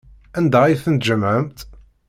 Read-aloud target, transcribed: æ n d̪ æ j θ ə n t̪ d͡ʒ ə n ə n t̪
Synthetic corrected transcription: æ n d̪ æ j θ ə n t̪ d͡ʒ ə m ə m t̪